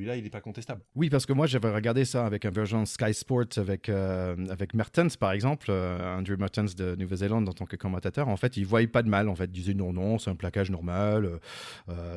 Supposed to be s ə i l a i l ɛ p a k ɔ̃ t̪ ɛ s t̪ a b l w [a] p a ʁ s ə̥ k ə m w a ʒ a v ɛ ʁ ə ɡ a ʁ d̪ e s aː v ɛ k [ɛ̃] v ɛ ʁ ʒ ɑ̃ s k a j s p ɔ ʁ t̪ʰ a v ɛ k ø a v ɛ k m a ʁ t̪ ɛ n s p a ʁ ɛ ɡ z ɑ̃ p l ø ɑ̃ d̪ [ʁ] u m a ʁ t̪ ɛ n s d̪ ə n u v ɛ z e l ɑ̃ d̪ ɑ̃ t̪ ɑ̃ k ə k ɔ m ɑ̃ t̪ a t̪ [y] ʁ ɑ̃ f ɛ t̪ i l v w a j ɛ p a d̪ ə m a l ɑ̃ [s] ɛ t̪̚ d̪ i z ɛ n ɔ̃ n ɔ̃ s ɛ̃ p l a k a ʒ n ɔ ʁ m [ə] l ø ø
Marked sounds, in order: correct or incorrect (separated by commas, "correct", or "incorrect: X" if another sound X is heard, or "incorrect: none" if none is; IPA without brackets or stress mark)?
incorrect: i, correct, correct, incorrect: œ, incorrect: f, incorrect: a